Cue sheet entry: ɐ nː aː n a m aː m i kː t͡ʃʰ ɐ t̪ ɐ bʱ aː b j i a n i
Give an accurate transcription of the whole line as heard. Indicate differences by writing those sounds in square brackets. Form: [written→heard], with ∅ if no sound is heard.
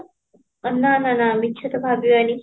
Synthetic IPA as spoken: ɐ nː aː n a [m→n] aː m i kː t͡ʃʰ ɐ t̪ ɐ bʱ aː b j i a n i